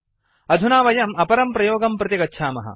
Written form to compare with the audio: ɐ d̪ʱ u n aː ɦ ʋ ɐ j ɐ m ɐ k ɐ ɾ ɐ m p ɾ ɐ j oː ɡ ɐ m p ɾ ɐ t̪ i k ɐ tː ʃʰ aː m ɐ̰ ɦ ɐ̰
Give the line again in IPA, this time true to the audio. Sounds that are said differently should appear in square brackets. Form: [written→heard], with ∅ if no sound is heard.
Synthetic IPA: ɐ d̪ʱ u n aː [ɦ→∅] ʋ ɐ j ɐ m ɐ [k→p] ɐ ɾ ɐ m p ɾ ɐ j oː ɡ ɐ m p ɾ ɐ t̪ i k ɐ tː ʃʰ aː m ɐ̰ ɦ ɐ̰